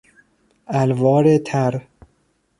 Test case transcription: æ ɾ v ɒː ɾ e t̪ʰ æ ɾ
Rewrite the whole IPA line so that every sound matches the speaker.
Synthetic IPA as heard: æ l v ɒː ɾ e t̪ʰ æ ɾ